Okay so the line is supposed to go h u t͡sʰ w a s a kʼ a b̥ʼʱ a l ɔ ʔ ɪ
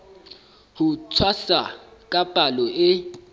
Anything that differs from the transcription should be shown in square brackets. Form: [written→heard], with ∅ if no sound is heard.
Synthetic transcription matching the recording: h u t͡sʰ w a s a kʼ a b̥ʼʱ a l ɔ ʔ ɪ